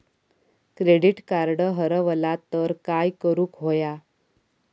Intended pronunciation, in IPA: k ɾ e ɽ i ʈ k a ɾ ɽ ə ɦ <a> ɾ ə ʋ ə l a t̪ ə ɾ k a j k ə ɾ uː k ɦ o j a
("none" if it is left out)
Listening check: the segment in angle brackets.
ə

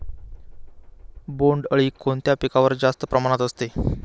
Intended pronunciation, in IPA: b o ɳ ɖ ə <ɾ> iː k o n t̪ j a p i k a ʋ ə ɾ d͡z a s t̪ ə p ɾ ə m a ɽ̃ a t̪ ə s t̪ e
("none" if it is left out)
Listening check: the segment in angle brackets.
ɭ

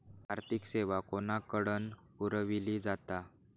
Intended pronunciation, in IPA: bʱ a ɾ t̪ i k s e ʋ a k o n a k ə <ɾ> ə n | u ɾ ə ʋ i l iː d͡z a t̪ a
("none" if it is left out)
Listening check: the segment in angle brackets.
ɽ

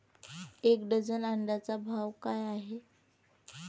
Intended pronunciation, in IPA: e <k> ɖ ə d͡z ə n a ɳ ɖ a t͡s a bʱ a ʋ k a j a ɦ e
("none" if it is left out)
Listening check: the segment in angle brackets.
k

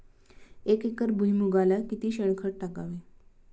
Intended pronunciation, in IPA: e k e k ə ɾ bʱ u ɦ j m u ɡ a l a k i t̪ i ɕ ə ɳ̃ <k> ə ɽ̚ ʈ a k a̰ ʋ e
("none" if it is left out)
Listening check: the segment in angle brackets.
kʰ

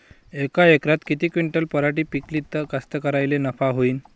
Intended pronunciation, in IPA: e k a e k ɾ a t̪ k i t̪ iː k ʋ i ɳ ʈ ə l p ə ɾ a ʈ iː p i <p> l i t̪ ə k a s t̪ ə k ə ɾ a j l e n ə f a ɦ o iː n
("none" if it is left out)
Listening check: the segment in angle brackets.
k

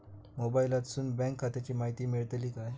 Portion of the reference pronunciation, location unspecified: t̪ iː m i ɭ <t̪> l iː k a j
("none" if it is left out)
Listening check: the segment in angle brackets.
t̪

